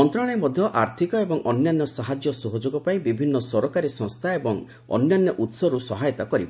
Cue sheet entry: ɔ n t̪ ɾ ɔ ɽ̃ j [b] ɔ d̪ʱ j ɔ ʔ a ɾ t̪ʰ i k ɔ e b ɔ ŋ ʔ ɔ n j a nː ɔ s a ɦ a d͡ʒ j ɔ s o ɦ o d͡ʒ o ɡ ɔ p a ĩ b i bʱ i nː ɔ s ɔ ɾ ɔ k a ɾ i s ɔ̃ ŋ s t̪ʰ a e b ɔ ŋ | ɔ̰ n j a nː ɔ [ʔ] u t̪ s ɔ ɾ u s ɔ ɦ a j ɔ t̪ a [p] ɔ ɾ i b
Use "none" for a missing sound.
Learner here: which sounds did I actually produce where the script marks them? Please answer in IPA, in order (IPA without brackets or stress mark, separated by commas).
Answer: m, ʔ, k